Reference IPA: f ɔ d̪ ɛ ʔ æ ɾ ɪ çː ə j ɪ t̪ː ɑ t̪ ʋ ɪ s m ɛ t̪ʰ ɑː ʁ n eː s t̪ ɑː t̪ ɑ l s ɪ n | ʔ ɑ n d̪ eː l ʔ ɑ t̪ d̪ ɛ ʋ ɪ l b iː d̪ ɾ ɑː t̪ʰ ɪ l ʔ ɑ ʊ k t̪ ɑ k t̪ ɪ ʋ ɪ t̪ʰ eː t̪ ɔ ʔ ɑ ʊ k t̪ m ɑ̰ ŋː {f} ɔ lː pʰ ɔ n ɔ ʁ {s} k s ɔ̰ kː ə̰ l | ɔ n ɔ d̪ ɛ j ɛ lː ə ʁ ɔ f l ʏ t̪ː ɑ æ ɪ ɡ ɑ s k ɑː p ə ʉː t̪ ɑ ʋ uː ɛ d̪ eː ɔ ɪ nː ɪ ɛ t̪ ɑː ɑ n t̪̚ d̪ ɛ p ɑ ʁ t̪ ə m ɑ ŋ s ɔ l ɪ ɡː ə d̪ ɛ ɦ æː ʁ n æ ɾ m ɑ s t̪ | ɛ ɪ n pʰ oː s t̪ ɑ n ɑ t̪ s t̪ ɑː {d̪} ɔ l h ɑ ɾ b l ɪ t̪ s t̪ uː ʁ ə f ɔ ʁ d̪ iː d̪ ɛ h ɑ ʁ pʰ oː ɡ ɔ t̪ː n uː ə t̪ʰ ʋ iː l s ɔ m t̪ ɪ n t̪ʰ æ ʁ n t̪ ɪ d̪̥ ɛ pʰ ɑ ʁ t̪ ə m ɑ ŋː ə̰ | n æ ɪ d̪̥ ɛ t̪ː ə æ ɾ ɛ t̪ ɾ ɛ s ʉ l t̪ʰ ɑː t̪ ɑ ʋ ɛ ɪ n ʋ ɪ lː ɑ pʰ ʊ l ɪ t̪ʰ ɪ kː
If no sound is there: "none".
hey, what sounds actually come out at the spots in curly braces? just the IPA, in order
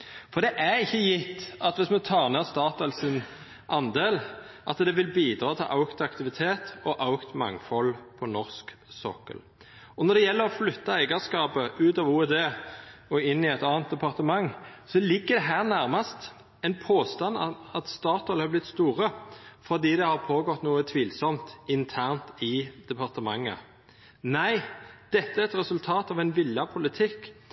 f, s, t̪

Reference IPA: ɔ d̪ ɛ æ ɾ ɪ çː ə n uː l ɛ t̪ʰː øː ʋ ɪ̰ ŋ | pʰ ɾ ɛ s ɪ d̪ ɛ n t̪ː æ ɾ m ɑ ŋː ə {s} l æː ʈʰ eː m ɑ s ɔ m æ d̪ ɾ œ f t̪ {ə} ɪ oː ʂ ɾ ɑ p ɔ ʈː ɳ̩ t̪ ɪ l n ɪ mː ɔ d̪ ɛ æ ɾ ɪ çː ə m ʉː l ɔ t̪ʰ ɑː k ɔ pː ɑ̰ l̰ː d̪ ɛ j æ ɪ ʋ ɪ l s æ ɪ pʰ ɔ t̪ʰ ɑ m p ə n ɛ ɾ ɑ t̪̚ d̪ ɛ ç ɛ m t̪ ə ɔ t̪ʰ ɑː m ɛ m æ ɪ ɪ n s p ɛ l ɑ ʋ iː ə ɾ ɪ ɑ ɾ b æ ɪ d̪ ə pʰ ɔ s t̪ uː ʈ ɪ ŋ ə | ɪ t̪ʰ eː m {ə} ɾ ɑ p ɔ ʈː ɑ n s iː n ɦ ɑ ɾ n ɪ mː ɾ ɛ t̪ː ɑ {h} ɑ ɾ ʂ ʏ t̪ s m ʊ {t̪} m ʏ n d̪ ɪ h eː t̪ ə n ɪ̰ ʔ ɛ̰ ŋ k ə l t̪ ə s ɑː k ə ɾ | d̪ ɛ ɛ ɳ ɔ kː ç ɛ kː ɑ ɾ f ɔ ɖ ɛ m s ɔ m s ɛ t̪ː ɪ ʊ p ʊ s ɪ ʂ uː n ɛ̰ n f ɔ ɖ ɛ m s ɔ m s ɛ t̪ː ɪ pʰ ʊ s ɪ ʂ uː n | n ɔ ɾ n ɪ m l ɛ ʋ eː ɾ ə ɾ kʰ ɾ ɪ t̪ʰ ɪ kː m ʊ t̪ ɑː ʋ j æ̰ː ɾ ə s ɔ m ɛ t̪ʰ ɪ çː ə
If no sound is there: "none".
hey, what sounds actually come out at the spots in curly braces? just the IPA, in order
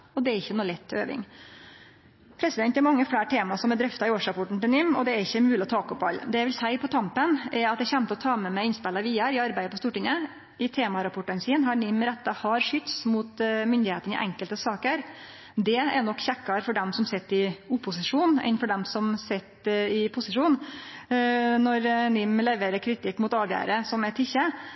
f, ɑ, ɑ, h, t̪

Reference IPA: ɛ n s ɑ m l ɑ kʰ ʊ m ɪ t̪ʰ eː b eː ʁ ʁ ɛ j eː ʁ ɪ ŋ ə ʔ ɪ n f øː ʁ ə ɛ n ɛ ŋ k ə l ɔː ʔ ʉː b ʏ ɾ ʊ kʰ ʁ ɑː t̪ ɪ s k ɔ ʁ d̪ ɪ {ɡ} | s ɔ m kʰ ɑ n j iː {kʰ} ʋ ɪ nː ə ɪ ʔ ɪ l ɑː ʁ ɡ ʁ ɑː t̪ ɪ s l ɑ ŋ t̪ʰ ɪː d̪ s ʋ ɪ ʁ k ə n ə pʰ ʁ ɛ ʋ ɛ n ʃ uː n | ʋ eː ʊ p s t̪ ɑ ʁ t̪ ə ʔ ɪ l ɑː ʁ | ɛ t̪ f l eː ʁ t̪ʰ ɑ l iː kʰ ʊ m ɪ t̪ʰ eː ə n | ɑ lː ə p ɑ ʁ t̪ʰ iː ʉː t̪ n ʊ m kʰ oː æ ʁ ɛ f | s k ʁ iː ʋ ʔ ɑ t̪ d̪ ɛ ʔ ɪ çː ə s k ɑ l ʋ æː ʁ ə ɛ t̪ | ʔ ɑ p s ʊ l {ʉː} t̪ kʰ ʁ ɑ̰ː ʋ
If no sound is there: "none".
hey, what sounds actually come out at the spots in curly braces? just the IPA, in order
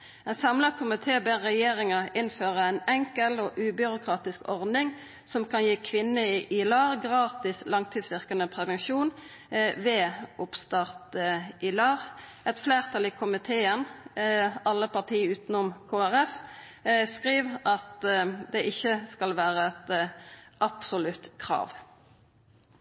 ŋ, kʰ, ʉ

